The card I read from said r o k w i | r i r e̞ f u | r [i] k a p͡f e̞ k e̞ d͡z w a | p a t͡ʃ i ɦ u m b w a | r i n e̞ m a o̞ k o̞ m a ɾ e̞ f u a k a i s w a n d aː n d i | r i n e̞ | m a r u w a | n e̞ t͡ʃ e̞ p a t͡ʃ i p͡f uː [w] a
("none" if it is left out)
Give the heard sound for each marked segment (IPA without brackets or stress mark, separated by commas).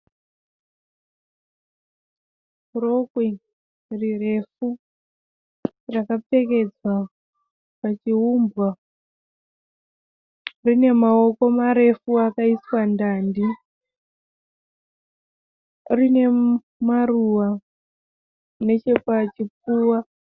a, w